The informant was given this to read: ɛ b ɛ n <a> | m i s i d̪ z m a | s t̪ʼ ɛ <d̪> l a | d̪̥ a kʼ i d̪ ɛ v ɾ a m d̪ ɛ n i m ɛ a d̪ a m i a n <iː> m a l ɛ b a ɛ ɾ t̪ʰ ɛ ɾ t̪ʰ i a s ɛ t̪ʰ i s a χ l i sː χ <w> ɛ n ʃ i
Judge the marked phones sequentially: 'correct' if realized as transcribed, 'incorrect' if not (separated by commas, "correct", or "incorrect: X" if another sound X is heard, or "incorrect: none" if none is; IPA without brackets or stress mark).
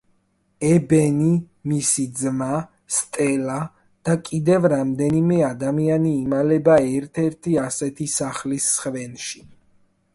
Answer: incorrect: i, incorrect: none, correct, incorrect: v